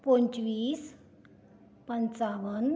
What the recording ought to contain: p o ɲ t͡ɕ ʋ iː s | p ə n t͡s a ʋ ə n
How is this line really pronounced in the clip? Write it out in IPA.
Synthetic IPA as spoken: p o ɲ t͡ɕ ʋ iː s | p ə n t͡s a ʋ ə n